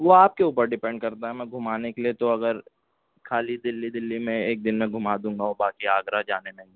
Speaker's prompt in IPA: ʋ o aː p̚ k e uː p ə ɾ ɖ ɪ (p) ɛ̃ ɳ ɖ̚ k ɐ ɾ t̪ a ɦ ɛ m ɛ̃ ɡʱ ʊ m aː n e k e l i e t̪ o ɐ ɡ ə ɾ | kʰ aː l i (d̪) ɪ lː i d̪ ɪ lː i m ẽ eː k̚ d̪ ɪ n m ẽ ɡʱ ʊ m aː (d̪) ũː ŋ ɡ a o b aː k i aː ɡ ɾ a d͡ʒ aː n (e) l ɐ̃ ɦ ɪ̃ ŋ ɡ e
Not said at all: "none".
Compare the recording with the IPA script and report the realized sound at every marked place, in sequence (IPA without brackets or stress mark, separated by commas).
p, d̪, d̪, e